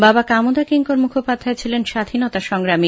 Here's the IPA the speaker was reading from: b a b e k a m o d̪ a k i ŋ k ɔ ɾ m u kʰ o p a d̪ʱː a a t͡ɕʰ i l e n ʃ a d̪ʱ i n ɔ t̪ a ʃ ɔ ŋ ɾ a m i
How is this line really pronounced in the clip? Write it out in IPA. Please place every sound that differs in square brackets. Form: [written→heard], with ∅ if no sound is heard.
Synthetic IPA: b a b [e→a] k a m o d̪ a k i ŋ k [ɔ→o] ɾ m u kʰ o p a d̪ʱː a [a→e] t͡ɕʰ i l e n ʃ a d̪ʱ i n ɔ t̪ a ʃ ɔ ŋ ɾ a m i